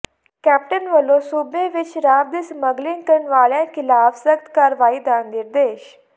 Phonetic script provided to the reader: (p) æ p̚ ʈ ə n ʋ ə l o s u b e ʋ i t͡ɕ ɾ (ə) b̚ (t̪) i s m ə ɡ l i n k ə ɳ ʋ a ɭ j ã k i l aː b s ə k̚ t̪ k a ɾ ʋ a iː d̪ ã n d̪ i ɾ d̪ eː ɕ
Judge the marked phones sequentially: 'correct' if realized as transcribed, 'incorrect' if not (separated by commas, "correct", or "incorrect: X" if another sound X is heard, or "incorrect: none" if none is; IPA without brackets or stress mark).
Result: incorrect: k, incorrect: a, incorrect: d̪